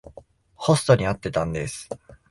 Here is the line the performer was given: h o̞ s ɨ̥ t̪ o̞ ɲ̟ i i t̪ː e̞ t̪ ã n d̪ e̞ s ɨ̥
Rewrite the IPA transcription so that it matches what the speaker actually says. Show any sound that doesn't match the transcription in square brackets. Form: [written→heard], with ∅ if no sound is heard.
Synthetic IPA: h o̞ s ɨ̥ t̪ o̞ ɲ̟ i [i→a] t̪ː e̞ t̪ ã n d̪ e̞ s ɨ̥